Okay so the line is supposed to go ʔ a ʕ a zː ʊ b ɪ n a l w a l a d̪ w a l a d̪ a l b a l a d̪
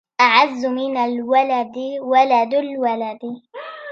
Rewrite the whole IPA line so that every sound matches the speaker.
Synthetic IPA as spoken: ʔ a ʕ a zː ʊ m ɪ n a l w a l a d̪ w a l a d̪ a l w a l a d̪